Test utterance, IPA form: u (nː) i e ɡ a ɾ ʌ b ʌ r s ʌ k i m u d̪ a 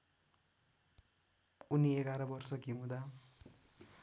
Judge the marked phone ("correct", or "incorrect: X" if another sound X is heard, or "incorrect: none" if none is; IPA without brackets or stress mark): incorrect: n